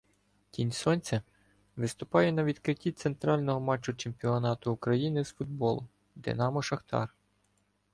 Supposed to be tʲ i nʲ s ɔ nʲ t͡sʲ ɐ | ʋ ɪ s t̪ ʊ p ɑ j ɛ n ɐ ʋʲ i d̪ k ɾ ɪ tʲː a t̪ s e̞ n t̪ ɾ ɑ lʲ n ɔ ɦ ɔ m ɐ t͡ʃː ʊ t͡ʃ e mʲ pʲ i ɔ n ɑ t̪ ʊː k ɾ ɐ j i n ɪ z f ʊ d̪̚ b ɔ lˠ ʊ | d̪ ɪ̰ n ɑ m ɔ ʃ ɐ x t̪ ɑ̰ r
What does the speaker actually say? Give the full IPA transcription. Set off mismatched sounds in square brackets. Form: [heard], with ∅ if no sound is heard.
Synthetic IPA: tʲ i nʲ s ɔ nʲ t͡sʲ ɐ | ʋ ɪ s t̪ ʊ p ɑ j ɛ n ɐ ʋʲ i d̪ k ɾ ɪ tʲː [i] t̪ s e̞ n t̪ ɾ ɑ lʲ n ɔ ɦ ɔ m [ɑ] t͡ʃː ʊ t͡ʃ e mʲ pʲ i ɔ n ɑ t̪ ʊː k ɾ ɐ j i n ɪ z f ʊ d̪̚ b ɔ lˠ ʊ | d̪ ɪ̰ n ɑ m ɔ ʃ ɐ x t̪ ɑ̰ r